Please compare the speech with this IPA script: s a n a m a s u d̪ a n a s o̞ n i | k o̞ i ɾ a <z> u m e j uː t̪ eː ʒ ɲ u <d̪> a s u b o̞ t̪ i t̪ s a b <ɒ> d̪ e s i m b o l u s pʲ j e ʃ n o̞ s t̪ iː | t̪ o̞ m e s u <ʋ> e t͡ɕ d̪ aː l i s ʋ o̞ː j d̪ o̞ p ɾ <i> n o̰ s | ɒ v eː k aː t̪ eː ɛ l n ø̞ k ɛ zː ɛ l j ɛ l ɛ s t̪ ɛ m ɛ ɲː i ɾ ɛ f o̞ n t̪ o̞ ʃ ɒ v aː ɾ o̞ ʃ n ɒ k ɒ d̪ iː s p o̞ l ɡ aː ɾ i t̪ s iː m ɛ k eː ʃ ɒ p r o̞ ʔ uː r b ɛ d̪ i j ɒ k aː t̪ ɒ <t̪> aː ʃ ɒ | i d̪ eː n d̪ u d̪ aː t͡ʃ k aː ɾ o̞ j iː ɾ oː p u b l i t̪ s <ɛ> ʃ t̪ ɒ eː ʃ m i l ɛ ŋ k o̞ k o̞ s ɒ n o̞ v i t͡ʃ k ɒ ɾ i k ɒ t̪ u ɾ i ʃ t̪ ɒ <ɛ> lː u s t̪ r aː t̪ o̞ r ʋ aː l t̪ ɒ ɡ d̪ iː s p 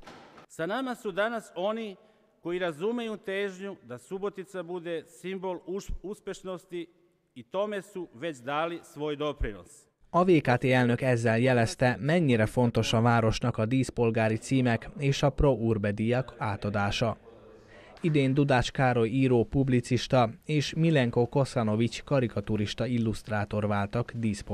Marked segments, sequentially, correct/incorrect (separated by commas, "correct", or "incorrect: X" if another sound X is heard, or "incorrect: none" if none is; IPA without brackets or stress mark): correct, correct, incorrect: u, correct, correct, incorrect: d̪, incorrect: i, incorrect: i